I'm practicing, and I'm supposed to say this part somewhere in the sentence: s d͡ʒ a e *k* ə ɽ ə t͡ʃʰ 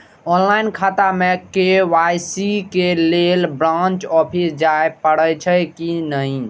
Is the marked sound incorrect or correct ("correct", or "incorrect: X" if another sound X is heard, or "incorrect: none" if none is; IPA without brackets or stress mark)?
incorrect: p